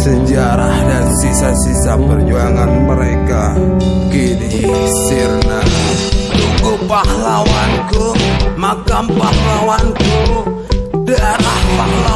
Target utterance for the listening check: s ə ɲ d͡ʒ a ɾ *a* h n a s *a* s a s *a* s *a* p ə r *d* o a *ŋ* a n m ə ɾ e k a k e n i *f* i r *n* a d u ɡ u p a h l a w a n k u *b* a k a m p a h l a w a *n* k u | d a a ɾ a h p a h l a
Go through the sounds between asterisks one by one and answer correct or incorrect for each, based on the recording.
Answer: correct, incorrect: i, incorrect: i, correct, incorrect: d͡ʒ, correct, incorrect: s, correct, incorrect: m, correct

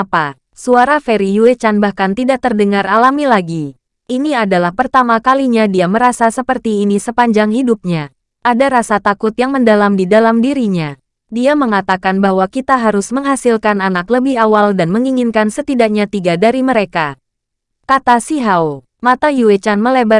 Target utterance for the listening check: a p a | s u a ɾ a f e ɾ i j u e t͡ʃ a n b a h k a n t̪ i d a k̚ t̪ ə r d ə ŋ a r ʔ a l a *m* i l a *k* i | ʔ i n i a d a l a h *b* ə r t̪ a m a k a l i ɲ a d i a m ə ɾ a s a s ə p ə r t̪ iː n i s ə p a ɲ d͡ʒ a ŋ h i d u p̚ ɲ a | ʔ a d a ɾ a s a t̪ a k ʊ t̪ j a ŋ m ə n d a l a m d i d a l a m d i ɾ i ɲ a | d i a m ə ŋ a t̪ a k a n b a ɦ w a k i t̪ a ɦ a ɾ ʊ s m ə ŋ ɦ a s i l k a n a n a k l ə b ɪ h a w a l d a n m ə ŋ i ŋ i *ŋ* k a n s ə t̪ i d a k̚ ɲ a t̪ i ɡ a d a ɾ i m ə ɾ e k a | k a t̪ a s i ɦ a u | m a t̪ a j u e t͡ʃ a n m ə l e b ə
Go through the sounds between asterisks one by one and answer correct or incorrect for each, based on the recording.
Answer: correct, incorrect: ɡ, incorrect: p, incorrect: n

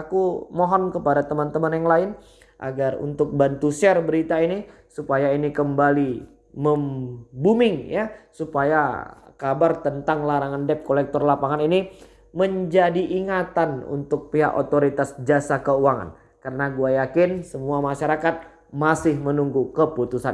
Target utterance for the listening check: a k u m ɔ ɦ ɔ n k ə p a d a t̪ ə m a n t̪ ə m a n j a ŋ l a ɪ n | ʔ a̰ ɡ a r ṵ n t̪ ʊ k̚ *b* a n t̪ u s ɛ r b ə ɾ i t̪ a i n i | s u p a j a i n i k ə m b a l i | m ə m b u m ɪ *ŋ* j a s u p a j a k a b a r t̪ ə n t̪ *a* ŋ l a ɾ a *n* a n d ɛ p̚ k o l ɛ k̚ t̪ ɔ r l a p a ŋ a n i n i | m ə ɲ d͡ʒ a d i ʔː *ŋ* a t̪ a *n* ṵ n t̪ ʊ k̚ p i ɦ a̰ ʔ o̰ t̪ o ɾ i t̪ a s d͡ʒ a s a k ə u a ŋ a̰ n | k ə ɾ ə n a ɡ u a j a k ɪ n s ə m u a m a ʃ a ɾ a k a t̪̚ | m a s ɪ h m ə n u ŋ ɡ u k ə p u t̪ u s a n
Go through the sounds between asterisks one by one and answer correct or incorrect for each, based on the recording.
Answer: correct, correct, correct, incorrect: ŋ, correct, correct

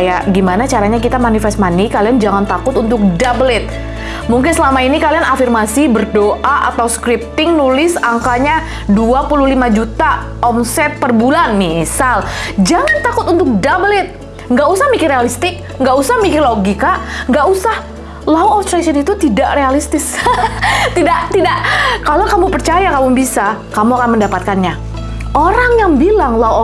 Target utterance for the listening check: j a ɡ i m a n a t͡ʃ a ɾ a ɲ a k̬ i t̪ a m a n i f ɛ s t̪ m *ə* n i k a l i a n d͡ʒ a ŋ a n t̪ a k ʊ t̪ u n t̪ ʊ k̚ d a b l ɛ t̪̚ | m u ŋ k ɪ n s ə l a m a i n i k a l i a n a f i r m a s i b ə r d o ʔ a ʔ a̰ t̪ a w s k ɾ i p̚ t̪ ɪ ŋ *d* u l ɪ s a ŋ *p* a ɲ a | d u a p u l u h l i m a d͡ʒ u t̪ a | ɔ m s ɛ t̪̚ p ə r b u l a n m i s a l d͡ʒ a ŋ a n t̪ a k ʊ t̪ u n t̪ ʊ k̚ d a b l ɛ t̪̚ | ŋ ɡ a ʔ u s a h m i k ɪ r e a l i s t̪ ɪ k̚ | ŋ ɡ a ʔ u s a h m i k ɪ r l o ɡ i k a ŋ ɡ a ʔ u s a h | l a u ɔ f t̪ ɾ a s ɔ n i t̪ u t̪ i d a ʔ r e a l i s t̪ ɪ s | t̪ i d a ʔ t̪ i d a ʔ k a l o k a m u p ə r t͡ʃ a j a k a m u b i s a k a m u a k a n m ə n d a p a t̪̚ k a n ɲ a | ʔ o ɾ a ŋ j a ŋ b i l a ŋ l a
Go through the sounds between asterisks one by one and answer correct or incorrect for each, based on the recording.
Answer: incorrect: a, incorrect: n, incorrect: k

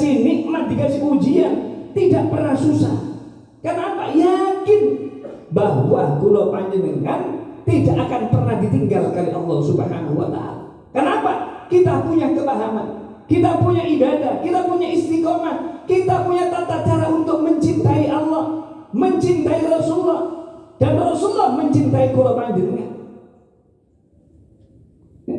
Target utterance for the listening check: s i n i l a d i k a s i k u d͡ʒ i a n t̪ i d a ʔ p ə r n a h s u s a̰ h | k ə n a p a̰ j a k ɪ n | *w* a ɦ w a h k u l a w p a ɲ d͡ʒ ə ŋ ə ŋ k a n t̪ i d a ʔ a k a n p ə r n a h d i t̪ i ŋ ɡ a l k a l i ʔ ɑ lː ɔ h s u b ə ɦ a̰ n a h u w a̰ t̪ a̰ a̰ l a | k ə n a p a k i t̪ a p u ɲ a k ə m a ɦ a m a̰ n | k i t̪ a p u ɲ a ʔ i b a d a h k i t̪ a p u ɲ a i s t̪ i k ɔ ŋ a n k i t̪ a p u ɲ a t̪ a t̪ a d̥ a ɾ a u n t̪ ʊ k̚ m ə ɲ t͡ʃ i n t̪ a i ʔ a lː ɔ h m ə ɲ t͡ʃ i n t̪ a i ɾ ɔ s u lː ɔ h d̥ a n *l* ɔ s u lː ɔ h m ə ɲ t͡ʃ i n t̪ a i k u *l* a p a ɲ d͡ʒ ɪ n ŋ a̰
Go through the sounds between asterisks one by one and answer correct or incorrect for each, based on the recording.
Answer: incorrect: b, incorrect: r, correct

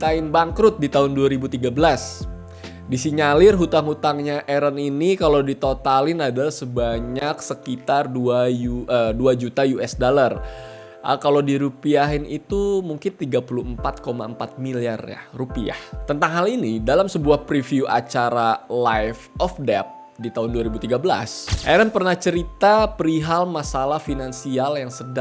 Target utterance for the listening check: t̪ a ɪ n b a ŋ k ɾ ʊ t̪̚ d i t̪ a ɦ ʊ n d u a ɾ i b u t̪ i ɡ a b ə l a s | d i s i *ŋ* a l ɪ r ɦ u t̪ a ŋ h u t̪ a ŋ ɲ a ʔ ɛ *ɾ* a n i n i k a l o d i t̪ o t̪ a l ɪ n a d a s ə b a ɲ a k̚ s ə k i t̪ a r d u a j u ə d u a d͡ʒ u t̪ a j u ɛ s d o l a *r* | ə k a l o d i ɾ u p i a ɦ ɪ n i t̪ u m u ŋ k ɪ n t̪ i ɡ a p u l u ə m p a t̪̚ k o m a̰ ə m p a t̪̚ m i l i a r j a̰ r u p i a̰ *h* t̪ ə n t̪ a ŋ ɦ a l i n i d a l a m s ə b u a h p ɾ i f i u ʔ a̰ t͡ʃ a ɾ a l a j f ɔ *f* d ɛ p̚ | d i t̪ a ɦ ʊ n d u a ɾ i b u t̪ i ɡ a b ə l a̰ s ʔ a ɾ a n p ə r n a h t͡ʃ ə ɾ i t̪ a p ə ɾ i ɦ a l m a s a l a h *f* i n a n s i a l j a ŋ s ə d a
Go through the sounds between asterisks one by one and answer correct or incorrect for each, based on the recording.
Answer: incorrect: ɲ, correct, correct, correct, correct, correct

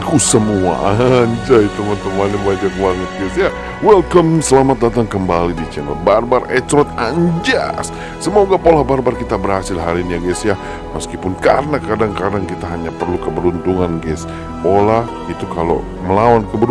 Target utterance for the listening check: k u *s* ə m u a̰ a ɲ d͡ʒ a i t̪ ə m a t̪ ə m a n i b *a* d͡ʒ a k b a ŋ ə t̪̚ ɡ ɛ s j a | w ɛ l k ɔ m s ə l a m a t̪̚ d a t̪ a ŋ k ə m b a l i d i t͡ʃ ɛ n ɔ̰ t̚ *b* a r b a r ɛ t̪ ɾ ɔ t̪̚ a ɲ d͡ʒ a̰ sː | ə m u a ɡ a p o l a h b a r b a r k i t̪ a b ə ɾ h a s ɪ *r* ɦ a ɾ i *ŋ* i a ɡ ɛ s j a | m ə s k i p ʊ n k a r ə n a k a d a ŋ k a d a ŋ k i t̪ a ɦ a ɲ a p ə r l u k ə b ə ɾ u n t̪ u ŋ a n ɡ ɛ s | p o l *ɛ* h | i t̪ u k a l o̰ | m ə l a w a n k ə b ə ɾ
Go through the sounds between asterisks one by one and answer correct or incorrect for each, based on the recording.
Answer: correct, correct, correct, incorrect: l, incorrect: n, incorrect: a

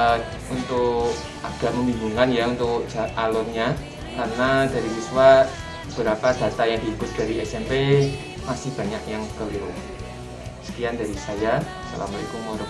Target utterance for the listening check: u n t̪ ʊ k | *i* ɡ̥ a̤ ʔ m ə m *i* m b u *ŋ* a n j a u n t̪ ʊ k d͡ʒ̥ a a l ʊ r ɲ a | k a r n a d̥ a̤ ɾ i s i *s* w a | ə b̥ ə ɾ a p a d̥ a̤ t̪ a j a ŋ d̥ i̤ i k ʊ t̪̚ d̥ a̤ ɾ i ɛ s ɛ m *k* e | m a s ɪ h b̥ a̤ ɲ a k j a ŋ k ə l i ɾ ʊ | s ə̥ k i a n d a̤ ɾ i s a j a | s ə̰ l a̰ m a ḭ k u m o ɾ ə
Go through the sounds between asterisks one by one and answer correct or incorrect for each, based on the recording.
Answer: incorrect: a, correct, correct, correct, incorrect: p

